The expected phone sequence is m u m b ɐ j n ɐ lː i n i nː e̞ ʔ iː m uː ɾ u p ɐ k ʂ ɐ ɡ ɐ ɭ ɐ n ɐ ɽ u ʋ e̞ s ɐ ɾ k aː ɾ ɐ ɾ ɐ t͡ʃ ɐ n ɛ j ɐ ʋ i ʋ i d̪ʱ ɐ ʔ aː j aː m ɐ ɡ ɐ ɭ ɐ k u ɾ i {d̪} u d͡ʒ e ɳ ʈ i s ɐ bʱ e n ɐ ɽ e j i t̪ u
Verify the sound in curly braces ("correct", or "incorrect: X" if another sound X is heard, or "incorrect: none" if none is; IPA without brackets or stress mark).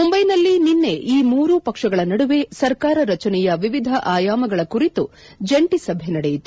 incorrect: t̪